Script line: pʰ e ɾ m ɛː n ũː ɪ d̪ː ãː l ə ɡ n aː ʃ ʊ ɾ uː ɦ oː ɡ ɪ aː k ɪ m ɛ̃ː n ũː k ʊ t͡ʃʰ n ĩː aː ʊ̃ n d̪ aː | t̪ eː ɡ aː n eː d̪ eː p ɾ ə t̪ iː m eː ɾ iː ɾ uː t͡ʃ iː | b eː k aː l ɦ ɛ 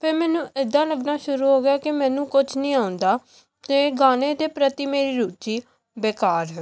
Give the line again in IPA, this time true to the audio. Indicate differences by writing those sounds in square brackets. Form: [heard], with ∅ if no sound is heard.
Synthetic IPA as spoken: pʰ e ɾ m ɛː n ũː ɪ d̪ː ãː l ə ɡ n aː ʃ ʊ ɾ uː ɦ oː ɡ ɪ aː k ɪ m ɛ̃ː n ũː k ʊ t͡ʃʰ n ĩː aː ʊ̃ n d̪ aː | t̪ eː ɡ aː n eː d̪ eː p ɾ ə t̪ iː m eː ɾ iː ɾ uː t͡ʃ iː | b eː k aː [ɾ] ɦ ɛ